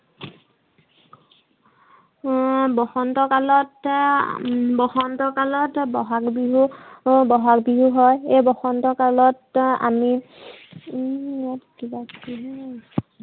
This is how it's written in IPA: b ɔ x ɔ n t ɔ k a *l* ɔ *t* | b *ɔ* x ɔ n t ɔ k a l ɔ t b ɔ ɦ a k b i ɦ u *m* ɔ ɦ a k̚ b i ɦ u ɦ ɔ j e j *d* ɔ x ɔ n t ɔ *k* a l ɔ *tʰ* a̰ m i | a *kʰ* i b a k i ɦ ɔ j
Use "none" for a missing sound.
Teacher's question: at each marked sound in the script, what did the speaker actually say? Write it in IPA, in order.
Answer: l, t, ɔ, b, b, k, t, k

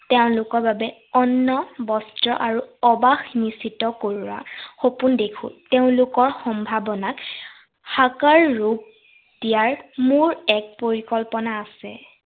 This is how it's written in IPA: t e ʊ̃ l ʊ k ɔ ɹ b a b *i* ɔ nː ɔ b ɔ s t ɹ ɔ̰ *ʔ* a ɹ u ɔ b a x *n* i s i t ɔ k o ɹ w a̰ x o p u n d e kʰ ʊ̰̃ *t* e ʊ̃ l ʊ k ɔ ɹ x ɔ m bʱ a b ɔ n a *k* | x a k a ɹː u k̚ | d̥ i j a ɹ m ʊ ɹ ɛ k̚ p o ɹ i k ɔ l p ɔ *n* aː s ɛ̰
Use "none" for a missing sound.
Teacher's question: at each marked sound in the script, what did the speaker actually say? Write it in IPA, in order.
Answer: ɛ, ʔ, n, t, k, n

